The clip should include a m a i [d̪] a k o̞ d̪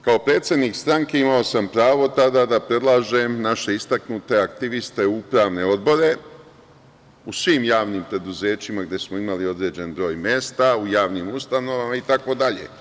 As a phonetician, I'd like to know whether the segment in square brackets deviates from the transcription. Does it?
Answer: yes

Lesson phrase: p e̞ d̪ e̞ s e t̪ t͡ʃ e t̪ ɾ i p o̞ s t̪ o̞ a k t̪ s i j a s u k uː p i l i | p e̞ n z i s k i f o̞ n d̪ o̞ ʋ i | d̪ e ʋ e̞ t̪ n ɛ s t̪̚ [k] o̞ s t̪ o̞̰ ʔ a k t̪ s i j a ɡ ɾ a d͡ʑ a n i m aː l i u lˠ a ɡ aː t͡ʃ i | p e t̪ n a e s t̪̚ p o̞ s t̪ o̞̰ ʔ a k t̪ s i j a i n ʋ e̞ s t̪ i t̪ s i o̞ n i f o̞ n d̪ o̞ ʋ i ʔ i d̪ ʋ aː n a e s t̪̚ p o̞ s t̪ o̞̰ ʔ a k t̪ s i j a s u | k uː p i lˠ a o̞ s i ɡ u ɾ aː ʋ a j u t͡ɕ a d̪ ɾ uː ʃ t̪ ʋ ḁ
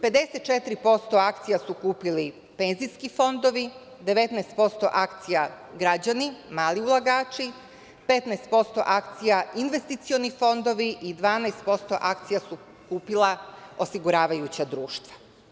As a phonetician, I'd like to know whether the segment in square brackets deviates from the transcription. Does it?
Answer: yes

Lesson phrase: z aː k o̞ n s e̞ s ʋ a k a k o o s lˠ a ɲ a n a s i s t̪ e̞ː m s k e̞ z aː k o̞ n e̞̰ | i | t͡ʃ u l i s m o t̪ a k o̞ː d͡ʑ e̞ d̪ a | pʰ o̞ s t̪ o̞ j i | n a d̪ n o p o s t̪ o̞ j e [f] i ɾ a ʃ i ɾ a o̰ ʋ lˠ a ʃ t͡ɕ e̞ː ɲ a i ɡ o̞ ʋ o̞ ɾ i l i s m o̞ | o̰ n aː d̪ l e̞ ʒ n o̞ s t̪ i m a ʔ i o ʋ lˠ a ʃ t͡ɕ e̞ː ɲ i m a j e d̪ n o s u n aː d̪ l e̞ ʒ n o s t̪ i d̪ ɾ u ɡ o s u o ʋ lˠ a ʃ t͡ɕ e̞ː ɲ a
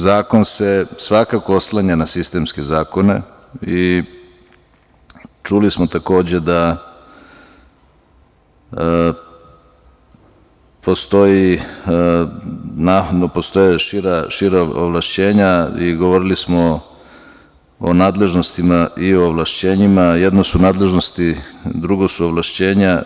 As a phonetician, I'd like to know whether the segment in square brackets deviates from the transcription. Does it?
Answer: yes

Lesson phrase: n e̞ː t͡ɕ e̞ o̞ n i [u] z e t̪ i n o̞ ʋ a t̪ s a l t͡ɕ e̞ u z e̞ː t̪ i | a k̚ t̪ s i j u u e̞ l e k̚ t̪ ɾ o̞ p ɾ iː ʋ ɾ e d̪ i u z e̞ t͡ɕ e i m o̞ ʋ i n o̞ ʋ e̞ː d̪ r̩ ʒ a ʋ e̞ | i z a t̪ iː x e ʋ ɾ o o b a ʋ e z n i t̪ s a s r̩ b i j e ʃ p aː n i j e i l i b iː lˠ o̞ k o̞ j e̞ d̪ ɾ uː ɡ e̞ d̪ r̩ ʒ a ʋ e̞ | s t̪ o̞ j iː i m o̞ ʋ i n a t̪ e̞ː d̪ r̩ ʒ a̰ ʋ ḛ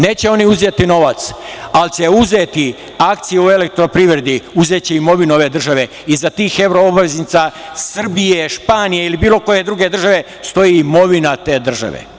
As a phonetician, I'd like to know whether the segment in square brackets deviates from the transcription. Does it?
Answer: no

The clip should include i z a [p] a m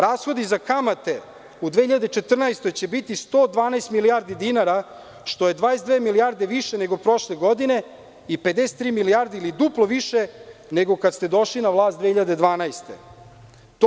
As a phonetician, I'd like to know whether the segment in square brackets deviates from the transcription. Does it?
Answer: yes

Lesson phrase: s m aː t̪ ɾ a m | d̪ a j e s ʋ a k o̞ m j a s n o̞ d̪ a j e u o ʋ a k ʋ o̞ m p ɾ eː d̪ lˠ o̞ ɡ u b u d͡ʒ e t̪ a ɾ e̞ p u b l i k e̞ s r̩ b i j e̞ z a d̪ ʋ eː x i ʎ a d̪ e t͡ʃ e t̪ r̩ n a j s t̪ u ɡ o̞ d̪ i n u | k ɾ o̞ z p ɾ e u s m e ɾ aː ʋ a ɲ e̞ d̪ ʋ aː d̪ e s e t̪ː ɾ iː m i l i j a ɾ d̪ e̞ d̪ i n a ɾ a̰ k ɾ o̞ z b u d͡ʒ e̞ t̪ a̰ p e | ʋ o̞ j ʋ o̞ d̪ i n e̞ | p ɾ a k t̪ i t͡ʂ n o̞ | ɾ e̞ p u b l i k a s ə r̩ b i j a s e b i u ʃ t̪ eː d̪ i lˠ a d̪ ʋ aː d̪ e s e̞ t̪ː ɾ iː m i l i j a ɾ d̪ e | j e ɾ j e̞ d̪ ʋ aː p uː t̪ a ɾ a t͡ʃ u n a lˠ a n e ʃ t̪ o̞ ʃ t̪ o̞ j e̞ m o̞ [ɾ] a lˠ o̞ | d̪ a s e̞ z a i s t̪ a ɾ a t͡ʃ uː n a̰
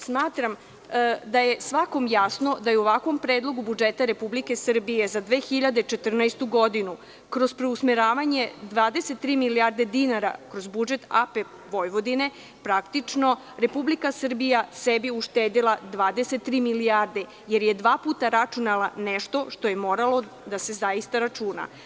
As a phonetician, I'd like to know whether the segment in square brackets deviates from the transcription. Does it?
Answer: no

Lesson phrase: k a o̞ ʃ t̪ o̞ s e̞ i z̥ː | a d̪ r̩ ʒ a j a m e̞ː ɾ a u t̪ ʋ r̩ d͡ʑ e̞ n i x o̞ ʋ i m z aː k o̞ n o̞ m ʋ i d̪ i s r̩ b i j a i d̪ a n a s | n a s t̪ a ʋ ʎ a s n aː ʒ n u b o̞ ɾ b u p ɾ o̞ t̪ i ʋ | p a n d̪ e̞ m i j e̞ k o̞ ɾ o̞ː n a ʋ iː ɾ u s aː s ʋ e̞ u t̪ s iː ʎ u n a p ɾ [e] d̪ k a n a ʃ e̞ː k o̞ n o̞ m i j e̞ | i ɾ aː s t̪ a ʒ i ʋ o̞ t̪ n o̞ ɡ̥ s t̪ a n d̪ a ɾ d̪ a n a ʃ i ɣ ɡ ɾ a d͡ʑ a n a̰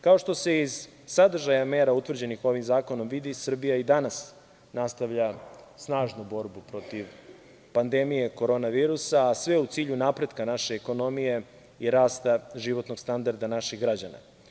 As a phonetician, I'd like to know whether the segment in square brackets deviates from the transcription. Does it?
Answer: no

